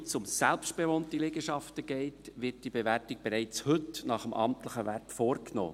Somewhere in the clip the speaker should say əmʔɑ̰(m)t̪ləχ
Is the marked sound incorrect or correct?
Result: correct